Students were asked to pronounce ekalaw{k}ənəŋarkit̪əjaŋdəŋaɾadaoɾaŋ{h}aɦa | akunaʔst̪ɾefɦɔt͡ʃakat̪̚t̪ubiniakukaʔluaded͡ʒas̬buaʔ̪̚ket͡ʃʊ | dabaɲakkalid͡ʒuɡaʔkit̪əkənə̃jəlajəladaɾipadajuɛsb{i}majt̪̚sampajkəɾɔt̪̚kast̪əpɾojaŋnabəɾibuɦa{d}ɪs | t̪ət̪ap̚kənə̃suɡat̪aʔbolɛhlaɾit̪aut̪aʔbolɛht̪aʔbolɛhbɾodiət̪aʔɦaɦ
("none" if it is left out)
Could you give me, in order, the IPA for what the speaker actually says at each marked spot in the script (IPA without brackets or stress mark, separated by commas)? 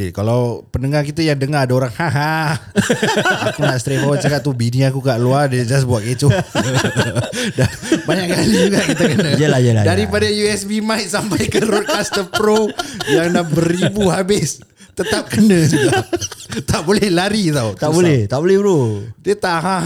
p, h, i, b